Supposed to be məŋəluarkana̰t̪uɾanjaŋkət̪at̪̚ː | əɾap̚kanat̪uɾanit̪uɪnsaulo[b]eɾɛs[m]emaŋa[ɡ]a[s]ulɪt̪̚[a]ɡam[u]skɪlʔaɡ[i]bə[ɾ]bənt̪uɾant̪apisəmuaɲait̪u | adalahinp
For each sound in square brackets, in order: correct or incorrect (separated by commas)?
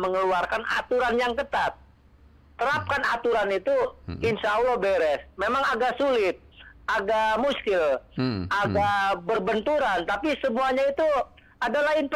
correct, correct, correct, correct, correct, correct, incorrect, incorrect